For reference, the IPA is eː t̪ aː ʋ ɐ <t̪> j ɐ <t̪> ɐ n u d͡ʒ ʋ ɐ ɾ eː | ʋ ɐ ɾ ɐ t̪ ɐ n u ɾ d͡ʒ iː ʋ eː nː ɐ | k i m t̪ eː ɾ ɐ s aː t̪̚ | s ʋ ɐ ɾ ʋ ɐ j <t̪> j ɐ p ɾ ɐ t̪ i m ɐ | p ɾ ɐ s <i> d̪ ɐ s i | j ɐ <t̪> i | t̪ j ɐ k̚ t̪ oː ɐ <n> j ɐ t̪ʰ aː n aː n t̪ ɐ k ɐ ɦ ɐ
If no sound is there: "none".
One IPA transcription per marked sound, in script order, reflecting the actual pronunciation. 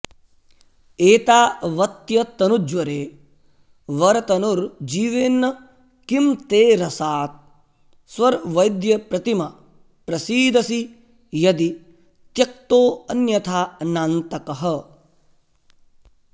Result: t̪, t̪, d̪, iː, d̪, n

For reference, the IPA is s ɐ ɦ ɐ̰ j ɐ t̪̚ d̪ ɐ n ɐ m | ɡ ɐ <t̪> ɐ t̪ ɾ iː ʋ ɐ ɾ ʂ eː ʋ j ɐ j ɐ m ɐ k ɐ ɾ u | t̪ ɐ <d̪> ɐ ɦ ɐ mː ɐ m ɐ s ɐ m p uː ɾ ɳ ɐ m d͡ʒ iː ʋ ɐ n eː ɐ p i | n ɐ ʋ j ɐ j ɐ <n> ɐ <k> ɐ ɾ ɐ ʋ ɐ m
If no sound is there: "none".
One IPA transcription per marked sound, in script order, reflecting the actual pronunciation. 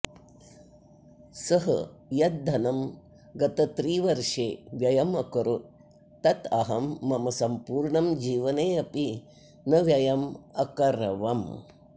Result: t̪, t̪, m, k

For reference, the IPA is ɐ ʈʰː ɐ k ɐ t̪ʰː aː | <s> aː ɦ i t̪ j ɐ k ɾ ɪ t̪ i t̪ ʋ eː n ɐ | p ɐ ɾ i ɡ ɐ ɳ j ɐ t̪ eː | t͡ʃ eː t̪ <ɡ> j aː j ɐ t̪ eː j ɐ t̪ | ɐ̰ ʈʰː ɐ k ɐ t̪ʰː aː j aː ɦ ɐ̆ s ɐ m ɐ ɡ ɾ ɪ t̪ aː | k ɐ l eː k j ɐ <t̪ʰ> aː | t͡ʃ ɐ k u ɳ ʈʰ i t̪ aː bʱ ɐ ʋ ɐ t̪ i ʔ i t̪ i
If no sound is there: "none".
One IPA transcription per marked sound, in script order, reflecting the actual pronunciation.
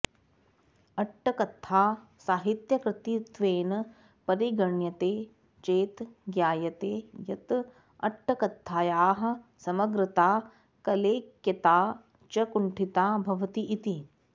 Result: s, ɡ, t̪

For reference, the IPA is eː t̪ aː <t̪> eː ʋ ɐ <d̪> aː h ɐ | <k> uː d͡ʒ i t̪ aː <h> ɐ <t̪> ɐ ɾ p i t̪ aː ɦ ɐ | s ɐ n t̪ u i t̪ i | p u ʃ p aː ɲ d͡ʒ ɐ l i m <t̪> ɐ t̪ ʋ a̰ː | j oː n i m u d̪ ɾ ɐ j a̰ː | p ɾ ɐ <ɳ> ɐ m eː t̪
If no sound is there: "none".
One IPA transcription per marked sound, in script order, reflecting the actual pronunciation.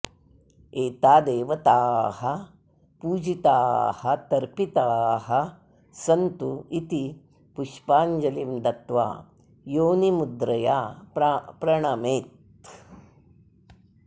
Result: d̪, t̪, p, h, t̪, d̪, ɳ

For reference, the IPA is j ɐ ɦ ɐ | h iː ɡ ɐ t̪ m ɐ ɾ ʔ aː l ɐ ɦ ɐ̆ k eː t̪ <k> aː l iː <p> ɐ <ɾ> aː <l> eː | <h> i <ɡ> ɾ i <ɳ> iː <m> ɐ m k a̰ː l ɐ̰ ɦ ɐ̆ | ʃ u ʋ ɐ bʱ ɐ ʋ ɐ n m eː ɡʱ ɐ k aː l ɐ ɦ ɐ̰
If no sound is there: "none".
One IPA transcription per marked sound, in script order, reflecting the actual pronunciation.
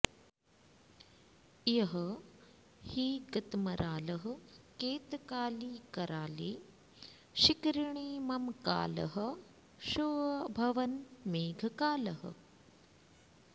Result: k, k, ɾ, l, ʃ, k, ɳ, m

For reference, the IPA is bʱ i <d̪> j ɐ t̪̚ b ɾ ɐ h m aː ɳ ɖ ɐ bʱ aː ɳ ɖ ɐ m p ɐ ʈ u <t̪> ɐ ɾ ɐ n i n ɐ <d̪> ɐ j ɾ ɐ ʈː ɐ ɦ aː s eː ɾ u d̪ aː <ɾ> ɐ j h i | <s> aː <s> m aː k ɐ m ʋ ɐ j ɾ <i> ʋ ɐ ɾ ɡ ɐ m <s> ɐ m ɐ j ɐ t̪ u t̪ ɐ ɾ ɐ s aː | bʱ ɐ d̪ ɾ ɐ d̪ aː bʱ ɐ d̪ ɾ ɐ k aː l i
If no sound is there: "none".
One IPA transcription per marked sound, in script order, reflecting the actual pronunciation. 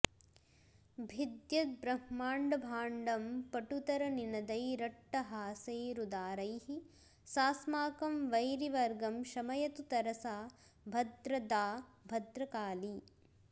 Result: d̪, t̪, d̪, ɾ, s, s, i, ʃ

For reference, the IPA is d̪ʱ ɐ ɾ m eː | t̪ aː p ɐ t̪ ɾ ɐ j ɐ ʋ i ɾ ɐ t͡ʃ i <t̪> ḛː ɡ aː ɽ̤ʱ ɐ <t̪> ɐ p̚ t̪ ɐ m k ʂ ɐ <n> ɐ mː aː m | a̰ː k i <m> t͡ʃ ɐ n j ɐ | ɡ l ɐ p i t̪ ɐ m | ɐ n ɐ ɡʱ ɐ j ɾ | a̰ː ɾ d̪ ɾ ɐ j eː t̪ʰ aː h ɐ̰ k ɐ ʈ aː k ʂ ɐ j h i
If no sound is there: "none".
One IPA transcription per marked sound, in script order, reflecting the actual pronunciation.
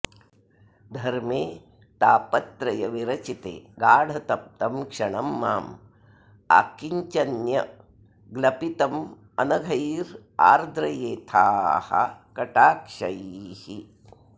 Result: t̪, t̪, ɳ, ɲ

